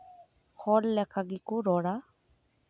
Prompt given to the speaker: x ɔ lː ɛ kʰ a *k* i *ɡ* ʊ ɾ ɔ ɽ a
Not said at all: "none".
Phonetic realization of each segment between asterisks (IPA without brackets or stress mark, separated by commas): ɡ, k